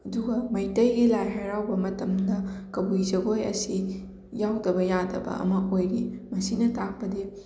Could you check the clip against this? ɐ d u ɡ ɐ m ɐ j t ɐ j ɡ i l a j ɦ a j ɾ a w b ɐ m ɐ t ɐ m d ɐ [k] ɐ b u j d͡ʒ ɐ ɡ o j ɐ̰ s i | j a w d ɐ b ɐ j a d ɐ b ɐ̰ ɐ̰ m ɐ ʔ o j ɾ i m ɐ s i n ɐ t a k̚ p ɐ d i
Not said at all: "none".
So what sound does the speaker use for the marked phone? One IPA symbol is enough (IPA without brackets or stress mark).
k